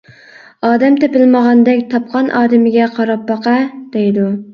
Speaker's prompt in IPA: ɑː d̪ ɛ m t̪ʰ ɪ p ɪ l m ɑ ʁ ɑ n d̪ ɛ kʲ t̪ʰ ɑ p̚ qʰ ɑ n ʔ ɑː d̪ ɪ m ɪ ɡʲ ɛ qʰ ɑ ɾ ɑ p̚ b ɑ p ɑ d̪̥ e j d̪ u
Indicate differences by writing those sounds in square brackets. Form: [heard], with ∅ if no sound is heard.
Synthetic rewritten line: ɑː d̪ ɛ m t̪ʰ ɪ p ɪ l m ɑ ʁ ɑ n d̪ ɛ kʲ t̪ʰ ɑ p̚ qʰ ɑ n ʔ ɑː d̪ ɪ m ɪ ɡʲ ɛ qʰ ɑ ɾ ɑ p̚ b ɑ [q] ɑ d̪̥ e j d̪ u

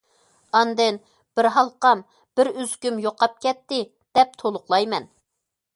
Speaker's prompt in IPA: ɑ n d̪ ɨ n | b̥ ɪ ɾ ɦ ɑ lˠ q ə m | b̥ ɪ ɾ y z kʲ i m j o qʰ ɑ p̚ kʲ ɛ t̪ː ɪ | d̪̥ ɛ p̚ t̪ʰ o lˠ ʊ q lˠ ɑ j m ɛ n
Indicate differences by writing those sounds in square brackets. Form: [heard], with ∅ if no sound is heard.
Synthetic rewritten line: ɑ n d̪ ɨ n | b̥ ɪ ɾ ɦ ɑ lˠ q [ɑ] m | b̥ ɪ ɾ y z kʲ [y] m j o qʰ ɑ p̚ kʲ ɛ t̪ː ɪ | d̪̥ ɛ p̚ t̪ʰ o lˠ ʊ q lˠ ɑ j m ɛ n

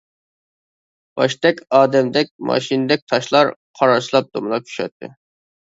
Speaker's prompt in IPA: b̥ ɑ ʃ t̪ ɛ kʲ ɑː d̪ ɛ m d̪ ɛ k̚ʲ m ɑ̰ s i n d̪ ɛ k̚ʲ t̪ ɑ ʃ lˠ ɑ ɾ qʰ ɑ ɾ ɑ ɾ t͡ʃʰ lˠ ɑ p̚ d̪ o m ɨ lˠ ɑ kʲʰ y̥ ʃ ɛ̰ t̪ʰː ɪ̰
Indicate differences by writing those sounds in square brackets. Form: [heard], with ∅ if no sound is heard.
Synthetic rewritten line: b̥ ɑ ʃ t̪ ɛ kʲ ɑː d̪ ɛ m d̪ ɛ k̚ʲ m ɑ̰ [ʃ] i n d̪ ɛ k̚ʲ [t̪ʰ] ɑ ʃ lˠ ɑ ɾ qʰ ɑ ɾ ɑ ɾ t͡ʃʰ lˠ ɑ p̚ d̪ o m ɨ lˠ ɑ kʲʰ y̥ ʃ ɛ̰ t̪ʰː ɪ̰

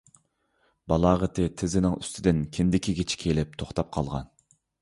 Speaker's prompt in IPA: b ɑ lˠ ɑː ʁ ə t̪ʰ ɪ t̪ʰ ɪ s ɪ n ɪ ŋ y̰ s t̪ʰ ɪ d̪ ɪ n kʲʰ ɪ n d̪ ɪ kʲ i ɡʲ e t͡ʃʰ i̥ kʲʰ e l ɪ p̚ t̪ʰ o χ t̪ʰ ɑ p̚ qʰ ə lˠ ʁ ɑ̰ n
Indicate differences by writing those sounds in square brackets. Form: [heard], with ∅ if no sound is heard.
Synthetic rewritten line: b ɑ lˠ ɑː ʁ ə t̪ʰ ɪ t̪ʰ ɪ [z] ɪ n ɪ ŋ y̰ s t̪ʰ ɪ d̪ ɪ n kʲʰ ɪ n d̪ ɪ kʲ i ɡʲ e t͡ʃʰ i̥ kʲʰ e l ɪ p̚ t̪ʰ o χ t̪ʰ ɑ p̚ qʰ [ɑ] lˠ ʁ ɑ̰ n

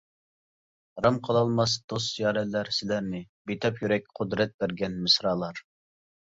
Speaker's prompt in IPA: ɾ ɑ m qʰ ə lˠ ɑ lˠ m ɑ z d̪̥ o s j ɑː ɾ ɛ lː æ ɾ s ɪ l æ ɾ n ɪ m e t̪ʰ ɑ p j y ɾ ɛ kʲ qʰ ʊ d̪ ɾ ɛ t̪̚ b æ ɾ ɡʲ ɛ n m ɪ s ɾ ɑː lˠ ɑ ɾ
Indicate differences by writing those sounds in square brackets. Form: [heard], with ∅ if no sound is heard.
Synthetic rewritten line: ɾ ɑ m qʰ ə lˠ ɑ lˠ m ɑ [s] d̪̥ o s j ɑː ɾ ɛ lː æ ɾ s ɪ l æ ɾ n ɪ [b] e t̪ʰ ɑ p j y ɾ ɛ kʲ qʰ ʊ d̪ ɾ ɛ t̪̚ b æ ɾ ɡʲ ɛ n m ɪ s ɾ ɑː lˠ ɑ ɾ

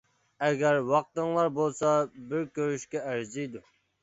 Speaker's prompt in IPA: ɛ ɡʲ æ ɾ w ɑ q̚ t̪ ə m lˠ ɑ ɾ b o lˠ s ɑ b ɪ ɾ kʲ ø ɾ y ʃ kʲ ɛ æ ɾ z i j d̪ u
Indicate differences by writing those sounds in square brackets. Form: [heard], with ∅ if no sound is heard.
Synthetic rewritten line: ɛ ɡʲ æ ɾ w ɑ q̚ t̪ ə [ŋ] lˠ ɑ ɾ b o lˠ s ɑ b ɪ ɾ kʲ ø ɾ y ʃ kʲ ɛ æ ɾ z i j d̪ u

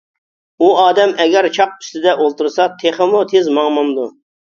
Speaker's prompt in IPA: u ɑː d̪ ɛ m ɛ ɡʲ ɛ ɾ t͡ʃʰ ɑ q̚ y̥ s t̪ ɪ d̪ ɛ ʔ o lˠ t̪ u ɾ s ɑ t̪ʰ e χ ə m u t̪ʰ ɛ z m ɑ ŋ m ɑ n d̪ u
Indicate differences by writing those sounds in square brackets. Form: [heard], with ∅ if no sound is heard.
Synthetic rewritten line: u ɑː d̪ ɛ m ɛ ɡʲ ɛ ɾ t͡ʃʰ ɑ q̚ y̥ s t̪ ɪ d̪ ɛ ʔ o lˠ t̪ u ɾ s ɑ t̪ʰ e χ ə m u t̪ʰ [e] z m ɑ ŋ m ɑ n d̪ u

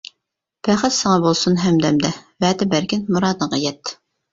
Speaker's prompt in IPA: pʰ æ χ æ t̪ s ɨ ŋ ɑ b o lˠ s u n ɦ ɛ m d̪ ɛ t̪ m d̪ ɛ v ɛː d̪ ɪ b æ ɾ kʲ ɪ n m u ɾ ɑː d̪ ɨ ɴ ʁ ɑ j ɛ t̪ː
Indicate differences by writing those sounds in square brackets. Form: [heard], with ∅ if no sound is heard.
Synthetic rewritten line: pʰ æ χ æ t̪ s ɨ ŋ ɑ b o lˠ s u n ɦ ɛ m d̪ ɛ [∅] m d̪ ɛ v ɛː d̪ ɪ b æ ɾ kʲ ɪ n m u ɾ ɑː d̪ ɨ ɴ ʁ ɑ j ɛ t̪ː

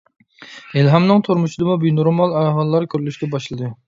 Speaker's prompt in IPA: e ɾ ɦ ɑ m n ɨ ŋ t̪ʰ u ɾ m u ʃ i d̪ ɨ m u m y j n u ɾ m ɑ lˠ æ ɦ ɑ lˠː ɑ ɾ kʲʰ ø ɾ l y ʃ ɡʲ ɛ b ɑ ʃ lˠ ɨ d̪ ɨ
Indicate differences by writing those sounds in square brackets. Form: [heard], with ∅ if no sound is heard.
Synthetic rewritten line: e [l] ɦ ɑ m n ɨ ŋ t̪ʰ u ɾ m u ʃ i d̪ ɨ m u [b] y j n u ɾ m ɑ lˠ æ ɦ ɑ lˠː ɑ ɾ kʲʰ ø ɾ l y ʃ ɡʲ ɛ b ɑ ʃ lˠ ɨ d̪ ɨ

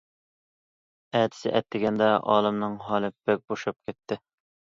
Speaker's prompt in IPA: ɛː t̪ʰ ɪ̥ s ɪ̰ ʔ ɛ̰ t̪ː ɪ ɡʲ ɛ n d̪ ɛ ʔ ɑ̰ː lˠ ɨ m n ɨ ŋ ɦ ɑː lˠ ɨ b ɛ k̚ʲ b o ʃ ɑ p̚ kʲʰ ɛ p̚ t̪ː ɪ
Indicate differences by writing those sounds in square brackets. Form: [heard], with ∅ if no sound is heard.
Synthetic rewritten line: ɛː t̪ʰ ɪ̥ s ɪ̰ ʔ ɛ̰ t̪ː ɪ ɡʲ ɛ n d̪ ɛ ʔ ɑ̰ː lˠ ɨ m n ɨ ŋ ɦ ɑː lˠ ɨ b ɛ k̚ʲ b o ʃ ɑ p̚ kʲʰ ɛ [∅] t̪ː ɪ

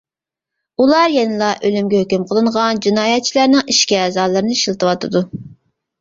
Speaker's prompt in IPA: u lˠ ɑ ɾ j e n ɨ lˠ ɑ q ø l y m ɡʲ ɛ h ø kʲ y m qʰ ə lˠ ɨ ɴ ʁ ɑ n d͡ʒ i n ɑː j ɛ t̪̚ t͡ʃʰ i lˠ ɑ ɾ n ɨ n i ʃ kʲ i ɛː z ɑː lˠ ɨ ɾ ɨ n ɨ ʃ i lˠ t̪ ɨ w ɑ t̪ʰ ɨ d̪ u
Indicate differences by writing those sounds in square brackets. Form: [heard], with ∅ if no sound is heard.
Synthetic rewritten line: u lˠ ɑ ɾ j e n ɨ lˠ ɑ [ʔ] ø l y m ɡʲ ɛ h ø kʲ y m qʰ ə lˠ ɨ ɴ ʁ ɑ n d͡ʒ i n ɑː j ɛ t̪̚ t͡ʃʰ i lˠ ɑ ɾ n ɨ [ŋ] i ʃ kʲ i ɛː z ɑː lˠ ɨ ɾ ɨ n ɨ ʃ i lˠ t̪ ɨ w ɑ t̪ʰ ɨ d̪ u

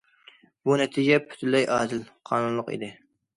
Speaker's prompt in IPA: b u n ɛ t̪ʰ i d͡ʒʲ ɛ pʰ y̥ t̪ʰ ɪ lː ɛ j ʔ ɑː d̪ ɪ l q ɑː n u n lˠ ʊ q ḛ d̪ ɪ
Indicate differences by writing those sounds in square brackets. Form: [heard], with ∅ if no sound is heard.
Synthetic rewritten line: b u n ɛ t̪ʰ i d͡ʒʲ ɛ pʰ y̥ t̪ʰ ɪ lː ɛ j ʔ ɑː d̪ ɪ l [qʰ] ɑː n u n lˠ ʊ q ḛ d̪ ɪ

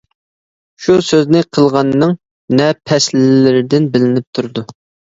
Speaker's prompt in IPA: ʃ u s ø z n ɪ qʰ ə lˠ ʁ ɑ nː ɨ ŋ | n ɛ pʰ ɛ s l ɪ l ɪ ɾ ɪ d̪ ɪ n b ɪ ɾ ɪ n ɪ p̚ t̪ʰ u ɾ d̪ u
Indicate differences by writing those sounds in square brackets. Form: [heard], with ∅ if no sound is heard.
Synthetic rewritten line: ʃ u s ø z n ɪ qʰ ə lˠ ʁ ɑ nː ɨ ŋ | n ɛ pʰ ɛ s l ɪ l ɪ ɾ ɪ d̪ ɪ n b ɪ [l] ɪ n ɪ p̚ t̪ʰ u ɾ d̪ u

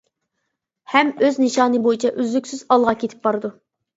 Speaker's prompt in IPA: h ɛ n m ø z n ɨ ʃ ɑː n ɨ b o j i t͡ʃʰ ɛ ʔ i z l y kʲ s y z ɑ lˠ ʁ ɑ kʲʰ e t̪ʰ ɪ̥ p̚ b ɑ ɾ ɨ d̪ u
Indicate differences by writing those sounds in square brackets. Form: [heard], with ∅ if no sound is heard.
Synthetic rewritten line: h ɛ [∅] m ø z n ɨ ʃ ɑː n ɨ b o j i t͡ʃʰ ɛ ʔ [y] z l y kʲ s y z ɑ lˠ ʁ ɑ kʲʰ e t̪ʰ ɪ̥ p̚ b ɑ ɾ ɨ d̪ u

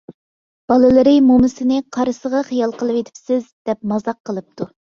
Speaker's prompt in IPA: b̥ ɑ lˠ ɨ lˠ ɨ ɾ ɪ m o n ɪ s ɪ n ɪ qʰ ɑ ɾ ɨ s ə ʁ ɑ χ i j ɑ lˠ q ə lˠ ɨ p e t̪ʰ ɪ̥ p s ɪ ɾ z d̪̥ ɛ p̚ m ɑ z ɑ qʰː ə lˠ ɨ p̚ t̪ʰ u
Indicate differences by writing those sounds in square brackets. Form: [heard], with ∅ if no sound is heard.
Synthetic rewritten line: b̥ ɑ lˠ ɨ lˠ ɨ ɾ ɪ m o [m] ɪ s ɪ n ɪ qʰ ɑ ɾ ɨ s ə ʁ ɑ χ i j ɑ lˠ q ə lˠ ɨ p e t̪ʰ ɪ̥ p s ɪ [∅] z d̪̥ ɛ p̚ m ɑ z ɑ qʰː ə lˠ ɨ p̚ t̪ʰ u

